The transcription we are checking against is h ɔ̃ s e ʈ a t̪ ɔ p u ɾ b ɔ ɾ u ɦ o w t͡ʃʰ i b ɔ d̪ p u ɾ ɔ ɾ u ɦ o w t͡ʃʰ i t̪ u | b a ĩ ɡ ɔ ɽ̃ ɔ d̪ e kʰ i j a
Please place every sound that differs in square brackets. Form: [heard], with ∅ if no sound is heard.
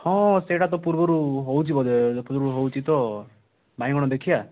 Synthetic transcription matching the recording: h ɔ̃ s e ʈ a t̪ ɔ p u ɾ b ɔ ɾ u ɦ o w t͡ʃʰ i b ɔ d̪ p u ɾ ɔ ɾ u ɦ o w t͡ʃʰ i t̪ [ɔ] | b a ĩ ɡ ɔ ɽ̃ ɔ d̪ e kʰ i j a